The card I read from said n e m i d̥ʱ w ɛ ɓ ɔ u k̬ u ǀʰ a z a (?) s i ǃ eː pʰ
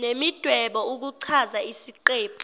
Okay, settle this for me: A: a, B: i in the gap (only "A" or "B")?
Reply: B